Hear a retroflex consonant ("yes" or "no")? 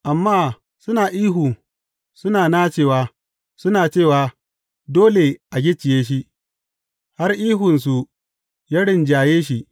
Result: yes